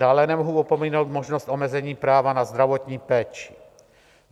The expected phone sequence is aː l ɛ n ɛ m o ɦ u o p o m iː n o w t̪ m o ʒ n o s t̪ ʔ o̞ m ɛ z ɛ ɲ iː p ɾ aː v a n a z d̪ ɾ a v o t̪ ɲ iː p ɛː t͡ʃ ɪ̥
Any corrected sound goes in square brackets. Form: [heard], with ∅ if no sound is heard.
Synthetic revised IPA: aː l ɛ n ɛ m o ɦ u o p o m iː n o w t̪ m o ʒ n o s t̪ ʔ o̞ m ɛ z ɛ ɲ iː p ɾ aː v a n a z d̪ ɾ a v o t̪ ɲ iː p ɛː t͡ʃ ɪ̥